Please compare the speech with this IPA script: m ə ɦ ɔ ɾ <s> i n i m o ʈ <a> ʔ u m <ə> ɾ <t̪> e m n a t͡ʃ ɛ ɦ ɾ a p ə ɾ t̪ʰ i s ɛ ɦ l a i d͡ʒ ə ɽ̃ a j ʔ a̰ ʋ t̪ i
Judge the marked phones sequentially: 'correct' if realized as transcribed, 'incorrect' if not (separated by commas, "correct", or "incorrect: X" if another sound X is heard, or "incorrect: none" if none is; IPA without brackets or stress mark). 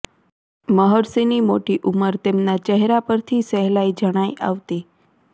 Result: correct, incorrect: i, correct, correct